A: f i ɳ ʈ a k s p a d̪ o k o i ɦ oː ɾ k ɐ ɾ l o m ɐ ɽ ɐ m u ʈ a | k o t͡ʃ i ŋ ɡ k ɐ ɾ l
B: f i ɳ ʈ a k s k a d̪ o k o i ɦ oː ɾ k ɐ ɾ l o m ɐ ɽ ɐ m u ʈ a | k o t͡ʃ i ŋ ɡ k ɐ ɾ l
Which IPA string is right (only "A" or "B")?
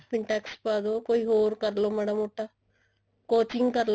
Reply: A